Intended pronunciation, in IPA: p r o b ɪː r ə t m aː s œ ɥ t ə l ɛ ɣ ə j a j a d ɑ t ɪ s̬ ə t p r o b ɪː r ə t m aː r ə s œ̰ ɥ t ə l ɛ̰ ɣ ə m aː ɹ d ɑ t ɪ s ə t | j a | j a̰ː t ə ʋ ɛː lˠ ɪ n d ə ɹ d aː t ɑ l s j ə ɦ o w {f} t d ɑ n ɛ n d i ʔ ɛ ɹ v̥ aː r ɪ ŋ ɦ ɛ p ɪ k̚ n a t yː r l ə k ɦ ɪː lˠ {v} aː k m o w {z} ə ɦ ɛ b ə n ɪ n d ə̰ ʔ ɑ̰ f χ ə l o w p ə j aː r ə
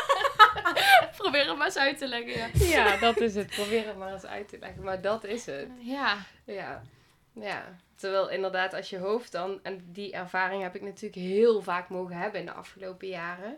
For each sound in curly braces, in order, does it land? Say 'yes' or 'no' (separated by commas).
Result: yes, yes, no